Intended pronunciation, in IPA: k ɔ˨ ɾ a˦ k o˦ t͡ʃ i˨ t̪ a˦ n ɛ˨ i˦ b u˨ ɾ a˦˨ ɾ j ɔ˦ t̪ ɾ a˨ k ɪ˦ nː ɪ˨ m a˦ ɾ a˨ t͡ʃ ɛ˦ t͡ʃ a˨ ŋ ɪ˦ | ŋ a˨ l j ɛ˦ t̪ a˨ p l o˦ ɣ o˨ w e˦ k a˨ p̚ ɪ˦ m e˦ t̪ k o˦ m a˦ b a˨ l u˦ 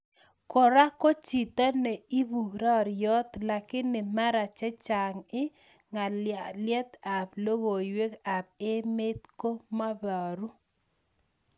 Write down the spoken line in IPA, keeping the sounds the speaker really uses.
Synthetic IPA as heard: k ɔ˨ ɾ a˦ k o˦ t͡ʃ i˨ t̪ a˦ n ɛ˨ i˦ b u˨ ɾ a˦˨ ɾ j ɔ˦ t̪ l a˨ k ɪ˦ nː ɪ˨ m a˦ ɾ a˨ t͡ʃ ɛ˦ t͡ʃ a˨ ŋ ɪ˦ | ŋ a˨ l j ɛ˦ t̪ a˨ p l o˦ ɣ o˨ w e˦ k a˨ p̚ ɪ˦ m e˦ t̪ k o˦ m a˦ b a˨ ɾ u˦